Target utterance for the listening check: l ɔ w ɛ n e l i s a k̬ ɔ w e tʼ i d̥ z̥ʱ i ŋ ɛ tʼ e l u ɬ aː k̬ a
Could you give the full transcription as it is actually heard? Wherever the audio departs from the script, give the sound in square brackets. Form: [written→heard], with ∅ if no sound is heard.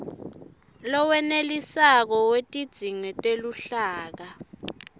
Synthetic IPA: l ɔ w ɛ n e l i s a k̬ ɔ w e tʼ i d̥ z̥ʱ i ŋ ɛ tʼ e l u ɬ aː k̬ a